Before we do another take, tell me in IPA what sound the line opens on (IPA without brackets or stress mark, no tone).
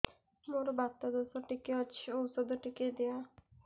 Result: m